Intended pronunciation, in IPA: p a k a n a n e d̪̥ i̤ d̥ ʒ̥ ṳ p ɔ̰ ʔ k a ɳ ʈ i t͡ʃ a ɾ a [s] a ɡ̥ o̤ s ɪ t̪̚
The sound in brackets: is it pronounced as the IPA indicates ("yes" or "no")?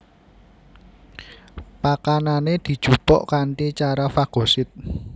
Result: no